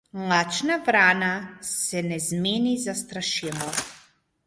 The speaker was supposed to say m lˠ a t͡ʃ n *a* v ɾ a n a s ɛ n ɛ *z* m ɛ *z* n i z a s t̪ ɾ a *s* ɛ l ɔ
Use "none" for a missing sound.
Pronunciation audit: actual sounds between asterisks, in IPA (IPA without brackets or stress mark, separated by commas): a, z, none, ʃ